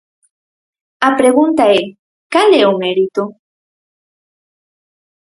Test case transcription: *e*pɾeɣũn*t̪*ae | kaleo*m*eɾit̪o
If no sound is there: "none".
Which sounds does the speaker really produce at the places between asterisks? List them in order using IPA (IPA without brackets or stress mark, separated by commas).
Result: a, t̪, m